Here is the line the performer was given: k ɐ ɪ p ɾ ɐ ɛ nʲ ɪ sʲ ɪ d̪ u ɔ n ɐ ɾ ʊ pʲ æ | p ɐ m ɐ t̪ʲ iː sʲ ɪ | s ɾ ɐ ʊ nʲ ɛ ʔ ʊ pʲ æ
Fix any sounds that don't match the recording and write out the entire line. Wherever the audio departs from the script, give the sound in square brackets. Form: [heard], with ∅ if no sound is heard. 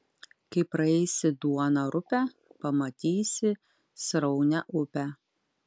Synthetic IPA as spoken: k ɐ ɪ p ɾ ɐ ɛ [∅] ɪ sʲ ɪ d̪ u ɔ n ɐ ɾ ʊ pʲ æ | p ɐ m ɐ t̪ʲ iː sʲ ɪ | s ɾ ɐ ʊ nʲ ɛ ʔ ʊ pʲ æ